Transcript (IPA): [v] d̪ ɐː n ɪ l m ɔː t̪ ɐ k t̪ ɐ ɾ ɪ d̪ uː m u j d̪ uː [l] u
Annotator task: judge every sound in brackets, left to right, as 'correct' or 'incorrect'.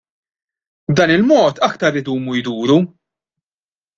incorrect: b, incorrect: ɾ

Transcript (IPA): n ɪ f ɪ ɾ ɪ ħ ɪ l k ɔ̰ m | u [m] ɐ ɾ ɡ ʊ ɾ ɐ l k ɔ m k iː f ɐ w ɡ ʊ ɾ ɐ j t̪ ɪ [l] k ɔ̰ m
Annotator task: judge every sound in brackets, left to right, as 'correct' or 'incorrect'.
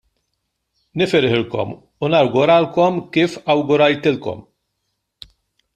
incorrect: n, correct

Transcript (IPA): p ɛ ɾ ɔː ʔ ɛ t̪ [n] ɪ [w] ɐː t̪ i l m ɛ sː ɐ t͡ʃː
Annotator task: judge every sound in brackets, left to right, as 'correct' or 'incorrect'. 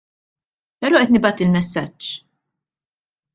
correct, incorrect: b

